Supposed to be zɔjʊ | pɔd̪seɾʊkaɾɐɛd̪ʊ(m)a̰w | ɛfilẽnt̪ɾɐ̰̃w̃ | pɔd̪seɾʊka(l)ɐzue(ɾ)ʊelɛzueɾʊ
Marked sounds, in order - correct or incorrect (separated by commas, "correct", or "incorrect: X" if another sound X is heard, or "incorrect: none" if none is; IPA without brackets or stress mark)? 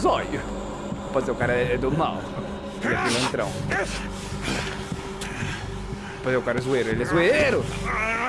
correct, incorrect: ɾ, correct